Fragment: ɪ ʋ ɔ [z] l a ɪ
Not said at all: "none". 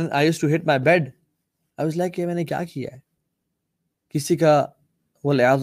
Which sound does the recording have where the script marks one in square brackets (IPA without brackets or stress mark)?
z